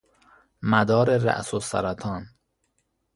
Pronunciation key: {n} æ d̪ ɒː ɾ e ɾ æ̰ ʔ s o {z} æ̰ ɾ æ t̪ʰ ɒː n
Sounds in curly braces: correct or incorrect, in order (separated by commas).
incorrect, incorrect